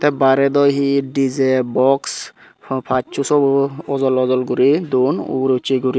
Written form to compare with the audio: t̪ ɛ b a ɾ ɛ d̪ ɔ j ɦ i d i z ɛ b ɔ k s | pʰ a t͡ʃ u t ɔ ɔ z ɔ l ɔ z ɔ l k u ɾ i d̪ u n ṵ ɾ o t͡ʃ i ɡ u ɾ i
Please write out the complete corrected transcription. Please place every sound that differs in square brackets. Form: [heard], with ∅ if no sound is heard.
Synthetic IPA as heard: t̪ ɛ b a ɾ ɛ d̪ ɔ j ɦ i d i z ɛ b ɔ k s | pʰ a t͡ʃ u [s] ɔ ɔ z ɔ l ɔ z ɔ l [ɡ] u ɾ i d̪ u n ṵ ɾ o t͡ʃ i ɡ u ɾ i